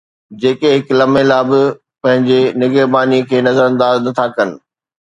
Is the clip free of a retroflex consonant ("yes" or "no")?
yes